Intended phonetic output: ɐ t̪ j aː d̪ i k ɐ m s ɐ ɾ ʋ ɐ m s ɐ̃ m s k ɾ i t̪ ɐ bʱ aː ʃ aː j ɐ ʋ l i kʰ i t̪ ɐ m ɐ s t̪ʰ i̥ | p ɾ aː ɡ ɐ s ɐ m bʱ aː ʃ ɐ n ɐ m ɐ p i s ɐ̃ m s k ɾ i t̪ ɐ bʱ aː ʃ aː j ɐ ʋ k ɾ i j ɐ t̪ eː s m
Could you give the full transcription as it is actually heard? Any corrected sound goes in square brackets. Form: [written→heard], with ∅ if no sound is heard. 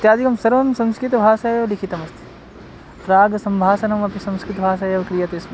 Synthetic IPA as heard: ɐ t̪ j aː d̪ i k ɐ m s ɐ ɾ ʋ ɐ m s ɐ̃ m s k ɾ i t̪ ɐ bʱ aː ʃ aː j ɐ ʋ l i kʰ i t̪ ɐ m ɐ s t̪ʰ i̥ | p ɾ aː ɡ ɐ s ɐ m bʱ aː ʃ ɐ n ɐ m ɐ p i s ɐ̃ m s k ɾ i t̪ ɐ bʱ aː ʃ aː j ɐ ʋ k ɾ i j ɐ t̪ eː s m